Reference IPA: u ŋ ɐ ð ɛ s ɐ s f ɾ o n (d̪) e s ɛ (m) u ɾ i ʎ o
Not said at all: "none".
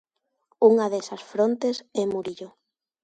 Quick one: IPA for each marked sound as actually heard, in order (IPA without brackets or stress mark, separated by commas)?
t̪, m